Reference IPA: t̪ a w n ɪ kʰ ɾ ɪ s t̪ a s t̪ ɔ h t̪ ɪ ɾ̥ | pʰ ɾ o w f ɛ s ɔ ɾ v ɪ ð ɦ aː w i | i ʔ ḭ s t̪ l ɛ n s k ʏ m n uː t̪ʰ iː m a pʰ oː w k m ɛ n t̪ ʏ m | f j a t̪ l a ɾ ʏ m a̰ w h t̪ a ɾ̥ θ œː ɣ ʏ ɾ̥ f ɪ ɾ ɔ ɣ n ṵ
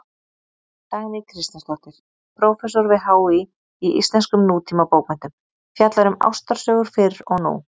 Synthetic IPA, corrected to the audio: t̪ a ɣ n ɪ kʰ ɾ ɪ s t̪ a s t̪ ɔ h t̪ ɪ ɾ̥ | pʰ ɾ o w f ɛ s ɔ ɾ v ɪ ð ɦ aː w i | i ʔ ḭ s t̪ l ɛ n s k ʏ m n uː t̪ʰ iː m a p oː w k m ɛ n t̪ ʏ m | f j a t̪ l a ɾ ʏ m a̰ w s t̪ a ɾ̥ s œː ɣ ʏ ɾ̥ f ɪ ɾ ɔ ɣ n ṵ